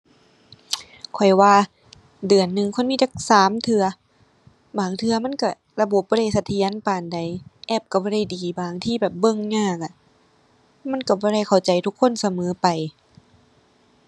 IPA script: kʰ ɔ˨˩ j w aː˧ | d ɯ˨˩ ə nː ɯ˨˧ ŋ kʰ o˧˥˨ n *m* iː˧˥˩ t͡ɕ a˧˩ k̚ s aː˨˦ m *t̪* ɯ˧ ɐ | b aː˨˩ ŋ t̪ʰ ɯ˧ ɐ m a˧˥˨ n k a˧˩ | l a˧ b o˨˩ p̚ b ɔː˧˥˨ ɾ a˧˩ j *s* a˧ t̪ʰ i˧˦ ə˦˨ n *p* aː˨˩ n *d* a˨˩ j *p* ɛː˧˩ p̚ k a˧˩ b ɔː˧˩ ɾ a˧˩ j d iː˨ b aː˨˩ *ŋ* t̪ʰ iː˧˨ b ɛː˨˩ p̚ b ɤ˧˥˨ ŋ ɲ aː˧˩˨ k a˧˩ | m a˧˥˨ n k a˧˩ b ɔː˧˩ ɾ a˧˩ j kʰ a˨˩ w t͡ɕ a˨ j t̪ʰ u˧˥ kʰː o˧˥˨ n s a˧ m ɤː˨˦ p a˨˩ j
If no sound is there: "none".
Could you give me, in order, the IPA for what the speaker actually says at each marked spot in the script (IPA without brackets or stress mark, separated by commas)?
m, t̪ʰ, s, p, d, ʔ, ŋ